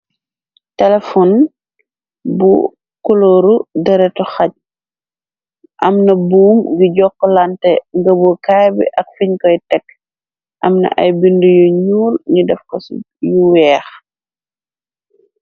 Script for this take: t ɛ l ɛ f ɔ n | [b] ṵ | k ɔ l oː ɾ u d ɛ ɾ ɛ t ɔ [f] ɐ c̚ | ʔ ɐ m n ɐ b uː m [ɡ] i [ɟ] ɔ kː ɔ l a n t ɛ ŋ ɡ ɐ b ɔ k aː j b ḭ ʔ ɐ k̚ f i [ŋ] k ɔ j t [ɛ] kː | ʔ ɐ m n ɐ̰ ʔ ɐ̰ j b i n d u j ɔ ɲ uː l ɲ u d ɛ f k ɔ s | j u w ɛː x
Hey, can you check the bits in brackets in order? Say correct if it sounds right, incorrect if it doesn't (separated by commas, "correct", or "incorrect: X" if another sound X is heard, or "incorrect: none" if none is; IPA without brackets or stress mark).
correct, incorrect: x, correct, correct, incorrect: ɲ, correct